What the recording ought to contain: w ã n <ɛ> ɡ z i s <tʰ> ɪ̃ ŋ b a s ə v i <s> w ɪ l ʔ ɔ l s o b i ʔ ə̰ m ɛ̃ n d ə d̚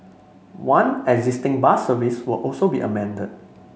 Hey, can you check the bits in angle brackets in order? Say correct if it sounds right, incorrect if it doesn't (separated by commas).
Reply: correct, incorrect, correct